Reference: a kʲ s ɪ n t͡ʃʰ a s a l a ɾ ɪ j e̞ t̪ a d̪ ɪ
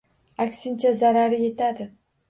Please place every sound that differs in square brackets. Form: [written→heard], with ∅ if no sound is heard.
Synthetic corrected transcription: a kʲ s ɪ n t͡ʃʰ a [s→z] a [l→ɾ] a ɾ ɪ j e̞ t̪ a d̪ ɪ